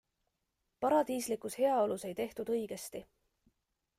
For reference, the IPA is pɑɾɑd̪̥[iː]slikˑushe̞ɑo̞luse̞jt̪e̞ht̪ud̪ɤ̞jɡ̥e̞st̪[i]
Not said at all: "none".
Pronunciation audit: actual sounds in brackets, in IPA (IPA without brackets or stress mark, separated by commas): iː, i